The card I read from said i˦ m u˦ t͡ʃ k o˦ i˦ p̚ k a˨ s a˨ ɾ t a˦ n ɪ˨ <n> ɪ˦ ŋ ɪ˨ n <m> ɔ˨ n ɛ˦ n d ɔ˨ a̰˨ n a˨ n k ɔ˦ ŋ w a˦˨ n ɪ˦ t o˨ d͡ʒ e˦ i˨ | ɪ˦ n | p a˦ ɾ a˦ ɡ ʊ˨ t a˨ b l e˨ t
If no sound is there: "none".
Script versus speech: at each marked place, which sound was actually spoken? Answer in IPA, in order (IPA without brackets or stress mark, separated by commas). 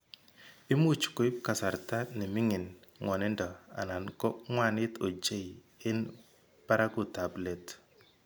m, ŋ